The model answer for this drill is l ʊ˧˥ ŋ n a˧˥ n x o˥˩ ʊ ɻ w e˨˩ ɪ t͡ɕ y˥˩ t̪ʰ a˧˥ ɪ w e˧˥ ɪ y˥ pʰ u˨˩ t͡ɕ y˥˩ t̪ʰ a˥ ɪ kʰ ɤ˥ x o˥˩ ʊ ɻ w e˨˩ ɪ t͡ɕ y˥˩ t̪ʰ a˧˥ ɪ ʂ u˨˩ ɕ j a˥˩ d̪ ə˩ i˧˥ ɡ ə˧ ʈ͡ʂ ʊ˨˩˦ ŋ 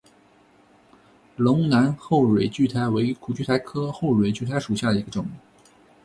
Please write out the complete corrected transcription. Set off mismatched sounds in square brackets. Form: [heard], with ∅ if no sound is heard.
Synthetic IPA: l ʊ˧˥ ŋ n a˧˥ n x o˥˩ ʊ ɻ w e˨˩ ɪ t͡ɕ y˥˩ t̪ʰ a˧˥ ɪ w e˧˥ ɪ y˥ [kʰ] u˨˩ t͡ɕ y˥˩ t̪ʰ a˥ ɪ kʰ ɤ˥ x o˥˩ ʊ ɻ w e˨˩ ɪ t͡ɕ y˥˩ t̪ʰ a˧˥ ɪ ʂ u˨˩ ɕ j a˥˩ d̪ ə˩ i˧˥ ɡ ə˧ ʈ͡ʂ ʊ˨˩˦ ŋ